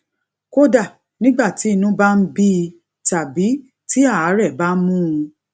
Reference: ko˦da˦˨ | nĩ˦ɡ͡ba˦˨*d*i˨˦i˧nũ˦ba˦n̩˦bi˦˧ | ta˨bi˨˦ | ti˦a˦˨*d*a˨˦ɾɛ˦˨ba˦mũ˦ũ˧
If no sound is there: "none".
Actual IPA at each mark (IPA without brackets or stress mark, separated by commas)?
t, none